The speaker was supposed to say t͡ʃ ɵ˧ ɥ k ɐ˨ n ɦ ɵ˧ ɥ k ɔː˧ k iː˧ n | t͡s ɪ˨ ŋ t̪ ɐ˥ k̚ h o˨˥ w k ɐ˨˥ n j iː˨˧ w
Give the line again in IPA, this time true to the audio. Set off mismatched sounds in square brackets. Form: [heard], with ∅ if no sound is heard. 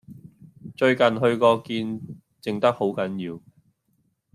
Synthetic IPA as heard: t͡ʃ ɵ˧ ɥ k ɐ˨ n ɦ ɵ˧ ɥ k ɔː˧ k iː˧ n | t͡s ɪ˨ ŋ t̪ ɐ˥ k̚ h o˨˥ w k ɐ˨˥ n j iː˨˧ w